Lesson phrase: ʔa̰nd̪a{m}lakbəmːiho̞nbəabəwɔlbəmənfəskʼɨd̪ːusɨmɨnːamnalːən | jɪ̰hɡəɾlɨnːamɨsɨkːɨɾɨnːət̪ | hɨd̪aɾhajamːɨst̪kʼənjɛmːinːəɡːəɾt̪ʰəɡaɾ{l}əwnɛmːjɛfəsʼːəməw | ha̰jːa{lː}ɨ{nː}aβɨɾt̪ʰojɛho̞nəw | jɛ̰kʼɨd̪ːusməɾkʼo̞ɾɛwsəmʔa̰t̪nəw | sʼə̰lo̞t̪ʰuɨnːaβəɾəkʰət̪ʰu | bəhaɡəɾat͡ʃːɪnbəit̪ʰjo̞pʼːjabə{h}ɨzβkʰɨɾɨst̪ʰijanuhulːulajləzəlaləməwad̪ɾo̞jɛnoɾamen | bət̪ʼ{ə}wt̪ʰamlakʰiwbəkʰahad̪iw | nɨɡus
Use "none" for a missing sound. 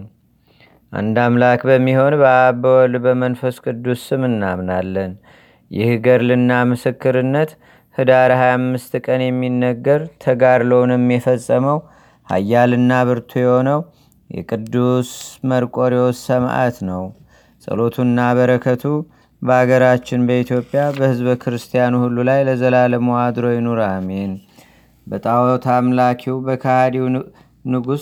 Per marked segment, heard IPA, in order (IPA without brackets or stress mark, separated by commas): m, l, l, nː, h, a